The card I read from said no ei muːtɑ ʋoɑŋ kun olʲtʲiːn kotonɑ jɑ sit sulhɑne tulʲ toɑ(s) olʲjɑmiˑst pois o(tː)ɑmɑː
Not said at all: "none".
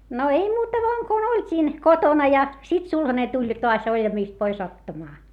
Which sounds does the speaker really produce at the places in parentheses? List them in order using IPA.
s, tː

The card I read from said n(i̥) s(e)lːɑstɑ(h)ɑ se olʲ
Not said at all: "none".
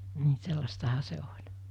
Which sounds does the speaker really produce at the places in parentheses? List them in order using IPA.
i̥, e, h

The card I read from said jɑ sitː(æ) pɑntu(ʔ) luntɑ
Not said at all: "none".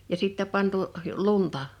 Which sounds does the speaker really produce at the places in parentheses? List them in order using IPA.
æ, ʔ

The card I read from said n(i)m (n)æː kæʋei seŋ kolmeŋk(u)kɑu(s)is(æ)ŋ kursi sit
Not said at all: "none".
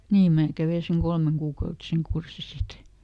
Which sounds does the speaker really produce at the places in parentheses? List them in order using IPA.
iː, m, uː, t, e

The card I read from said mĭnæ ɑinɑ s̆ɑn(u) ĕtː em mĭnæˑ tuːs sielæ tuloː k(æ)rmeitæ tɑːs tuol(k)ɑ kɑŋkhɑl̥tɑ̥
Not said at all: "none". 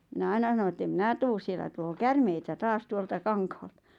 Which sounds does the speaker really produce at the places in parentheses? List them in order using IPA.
o, æ, t

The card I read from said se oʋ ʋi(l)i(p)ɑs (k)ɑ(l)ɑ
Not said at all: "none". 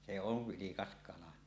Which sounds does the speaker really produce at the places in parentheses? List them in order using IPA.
l, k, k, l

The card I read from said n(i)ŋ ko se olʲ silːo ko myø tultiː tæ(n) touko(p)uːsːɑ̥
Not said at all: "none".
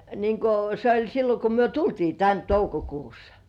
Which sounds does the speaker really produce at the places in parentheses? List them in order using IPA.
iː, n, k

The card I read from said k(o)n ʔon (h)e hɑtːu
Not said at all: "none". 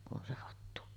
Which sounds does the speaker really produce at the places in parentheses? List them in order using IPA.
u, s

